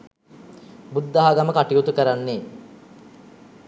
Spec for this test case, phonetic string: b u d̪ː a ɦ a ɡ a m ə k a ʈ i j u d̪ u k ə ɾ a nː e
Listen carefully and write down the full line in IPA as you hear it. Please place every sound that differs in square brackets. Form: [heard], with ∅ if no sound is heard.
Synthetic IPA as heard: b u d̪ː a ɦ a ɡ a m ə k a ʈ i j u [t̪] u k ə ɾ a nː e